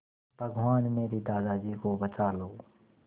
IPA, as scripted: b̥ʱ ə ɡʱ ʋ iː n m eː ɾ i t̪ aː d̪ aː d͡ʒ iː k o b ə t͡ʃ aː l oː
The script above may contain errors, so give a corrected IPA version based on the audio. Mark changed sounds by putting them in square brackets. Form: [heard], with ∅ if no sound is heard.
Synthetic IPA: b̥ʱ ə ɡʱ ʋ [aː] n m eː ɾ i [d̪] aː d̪ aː d͡ʒ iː k o b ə t͡ʃ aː l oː